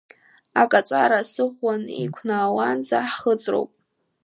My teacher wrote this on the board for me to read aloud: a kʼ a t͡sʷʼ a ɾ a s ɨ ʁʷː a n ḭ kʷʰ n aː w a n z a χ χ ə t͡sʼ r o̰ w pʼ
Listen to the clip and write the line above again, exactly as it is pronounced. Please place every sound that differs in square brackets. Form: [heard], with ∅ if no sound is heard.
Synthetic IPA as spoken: a kʼ a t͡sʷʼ a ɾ a s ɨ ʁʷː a n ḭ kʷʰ n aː w a n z a [ħ] χ ə t͡sʼ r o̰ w pʼ